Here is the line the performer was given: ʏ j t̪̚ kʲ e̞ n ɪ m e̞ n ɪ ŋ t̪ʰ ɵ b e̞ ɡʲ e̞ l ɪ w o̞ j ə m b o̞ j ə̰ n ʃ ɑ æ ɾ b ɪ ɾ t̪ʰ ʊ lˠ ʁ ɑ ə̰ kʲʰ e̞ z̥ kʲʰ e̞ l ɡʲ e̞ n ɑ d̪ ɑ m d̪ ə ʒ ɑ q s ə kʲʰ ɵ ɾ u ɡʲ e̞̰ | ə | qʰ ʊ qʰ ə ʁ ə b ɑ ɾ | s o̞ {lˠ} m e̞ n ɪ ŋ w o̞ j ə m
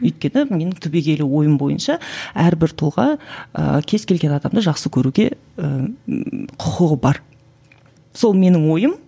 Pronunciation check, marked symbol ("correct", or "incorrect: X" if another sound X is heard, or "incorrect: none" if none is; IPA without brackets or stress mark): correct